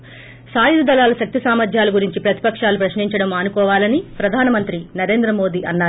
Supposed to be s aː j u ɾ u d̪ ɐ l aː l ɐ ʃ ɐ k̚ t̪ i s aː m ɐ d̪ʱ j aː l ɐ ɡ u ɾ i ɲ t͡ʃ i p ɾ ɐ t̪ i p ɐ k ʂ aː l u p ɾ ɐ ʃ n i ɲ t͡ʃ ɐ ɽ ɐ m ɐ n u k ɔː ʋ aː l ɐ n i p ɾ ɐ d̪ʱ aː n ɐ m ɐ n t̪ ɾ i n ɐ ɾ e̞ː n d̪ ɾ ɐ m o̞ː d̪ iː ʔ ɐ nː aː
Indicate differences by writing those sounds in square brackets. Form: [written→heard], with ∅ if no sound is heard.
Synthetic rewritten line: s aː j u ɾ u d̪ ɐ l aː l ɐ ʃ ɐ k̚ t̪ i s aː m ɐ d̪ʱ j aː l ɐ ɡ u ɾ i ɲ t͡ʃ i p ɾ ɐ t̪ i p ɐ k ʂ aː l u p ɾ ɐ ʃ n i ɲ t͡ʃ ɐ ɽ ɐ m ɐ n u k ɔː ʋ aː l ɐ n i p ɾ ɐ d̪ʱ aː n ɐ m ɐ n t̪ ɾ i n ɐ ɾ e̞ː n d̪ ɾ ɐ m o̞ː d̪ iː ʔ ɐ nː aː